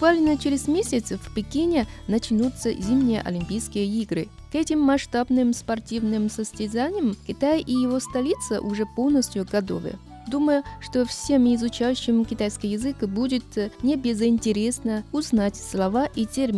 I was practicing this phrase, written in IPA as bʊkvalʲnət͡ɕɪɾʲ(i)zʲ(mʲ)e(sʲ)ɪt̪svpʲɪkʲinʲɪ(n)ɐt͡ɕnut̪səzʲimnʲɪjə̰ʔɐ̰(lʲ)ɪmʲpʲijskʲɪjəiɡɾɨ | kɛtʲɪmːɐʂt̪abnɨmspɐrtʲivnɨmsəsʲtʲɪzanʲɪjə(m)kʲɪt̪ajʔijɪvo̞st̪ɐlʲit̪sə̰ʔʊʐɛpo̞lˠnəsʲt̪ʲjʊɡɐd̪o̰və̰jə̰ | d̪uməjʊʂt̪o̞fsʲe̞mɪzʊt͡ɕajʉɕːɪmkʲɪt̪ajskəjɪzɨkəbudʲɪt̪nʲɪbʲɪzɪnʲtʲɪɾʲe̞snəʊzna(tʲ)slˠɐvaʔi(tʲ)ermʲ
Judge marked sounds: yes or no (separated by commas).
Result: no, yes, yes, yes, yes, yes, yes, yes